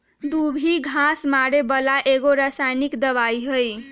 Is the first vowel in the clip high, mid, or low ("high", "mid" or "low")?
high